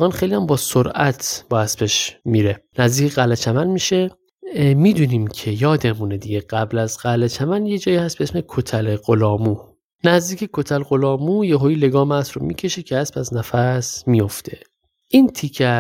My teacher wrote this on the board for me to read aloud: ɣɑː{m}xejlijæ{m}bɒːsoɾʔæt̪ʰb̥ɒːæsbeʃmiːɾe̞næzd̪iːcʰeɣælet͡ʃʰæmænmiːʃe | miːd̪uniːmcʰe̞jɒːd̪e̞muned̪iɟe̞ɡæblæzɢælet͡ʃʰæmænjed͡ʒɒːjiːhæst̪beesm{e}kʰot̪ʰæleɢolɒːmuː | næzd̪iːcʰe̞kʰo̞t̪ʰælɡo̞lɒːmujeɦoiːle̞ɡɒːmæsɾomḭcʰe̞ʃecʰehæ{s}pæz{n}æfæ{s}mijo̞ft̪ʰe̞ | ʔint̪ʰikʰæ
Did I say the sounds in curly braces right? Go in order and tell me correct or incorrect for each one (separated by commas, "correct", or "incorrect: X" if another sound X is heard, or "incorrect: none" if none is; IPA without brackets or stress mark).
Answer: incorrect: n, correct, correct, correct, correct, correct